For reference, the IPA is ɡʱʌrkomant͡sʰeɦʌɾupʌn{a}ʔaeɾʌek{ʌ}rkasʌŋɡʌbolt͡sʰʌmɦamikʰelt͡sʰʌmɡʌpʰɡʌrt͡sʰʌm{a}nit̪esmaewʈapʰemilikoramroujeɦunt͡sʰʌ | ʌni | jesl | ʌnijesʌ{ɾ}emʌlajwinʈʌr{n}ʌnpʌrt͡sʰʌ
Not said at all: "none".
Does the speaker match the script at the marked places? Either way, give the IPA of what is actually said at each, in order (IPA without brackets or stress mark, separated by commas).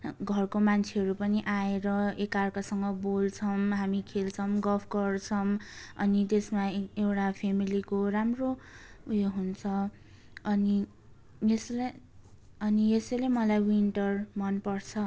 i, a, ʌ, l, m